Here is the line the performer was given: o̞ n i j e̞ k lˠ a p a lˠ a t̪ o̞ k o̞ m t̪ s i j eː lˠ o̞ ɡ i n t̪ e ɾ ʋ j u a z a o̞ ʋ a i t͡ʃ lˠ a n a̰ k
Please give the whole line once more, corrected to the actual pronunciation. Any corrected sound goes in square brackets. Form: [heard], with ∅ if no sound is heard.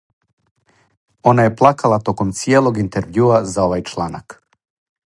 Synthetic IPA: o̞ n [a] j e̞ [p] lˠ a [k] a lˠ a t̪ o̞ k o̞ m t̪ s i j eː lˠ o̞ ɡ i n t̪ e ɾ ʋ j u a z a o̞ ʋ a [j] t͡ʃ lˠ a n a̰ k